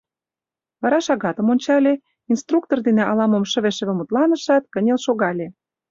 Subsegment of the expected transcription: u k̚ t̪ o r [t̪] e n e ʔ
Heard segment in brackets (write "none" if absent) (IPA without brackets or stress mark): d̪